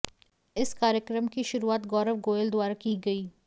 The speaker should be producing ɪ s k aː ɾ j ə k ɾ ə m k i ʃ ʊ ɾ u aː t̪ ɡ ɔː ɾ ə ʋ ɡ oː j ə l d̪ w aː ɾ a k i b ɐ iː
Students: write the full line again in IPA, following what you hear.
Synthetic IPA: ɪ s k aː ɾ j ə k ɾ ə m k i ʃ ʊ ɾ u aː t̪ ɡ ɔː ɾ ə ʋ ɡ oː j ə l d̪ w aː ɾ a k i ɡ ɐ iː